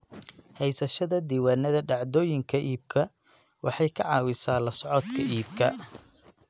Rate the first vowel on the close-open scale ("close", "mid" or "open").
mid